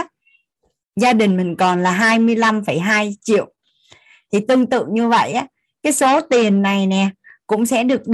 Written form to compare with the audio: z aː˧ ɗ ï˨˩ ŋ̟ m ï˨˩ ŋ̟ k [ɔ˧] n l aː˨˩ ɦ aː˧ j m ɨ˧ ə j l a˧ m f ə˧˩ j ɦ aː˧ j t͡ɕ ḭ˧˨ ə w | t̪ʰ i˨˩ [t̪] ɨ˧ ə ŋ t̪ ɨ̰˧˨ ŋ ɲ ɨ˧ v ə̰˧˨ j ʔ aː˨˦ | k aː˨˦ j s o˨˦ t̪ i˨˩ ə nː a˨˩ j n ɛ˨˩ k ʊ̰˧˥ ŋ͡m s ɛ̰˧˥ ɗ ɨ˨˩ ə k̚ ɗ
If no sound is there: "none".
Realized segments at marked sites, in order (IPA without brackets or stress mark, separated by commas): ɔ˨˩, t̪